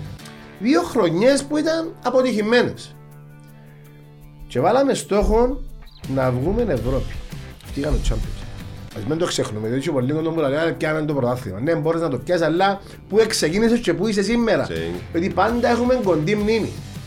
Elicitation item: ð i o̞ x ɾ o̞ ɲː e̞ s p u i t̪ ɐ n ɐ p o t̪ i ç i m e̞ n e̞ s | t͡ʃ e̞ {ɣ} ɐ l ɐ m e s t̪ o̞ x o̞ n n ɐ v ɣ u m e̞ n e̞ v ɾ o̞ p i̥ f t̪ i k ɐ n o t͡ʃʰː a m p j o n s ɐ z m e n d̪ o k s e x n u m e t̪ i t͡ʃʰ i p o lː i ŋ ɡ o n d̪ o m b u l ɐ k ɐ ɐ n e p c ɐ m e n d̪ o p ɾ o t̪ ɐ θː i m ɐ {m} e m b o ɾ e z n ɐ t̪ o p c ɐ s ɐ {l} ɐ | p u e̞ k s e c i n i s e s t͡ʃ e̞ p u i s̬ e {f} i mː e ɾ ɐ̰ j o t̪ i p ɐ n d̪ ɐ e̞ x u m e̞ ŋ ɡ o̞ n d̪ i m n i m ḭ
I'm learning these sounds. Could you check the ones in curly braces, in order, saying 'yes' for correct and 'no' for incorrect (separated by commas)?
no, no, no, no